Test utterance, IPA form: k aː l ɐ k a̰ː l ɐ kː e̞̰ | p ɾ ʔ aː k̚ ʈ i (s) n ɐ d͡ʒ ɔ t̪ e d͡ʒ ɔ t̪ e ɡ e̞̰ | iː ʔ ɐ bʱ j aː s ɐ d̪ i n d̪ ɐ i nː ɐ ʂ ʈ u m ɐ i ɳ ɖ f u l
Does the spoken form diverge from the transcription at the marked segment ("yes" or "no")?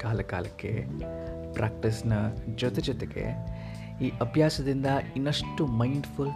no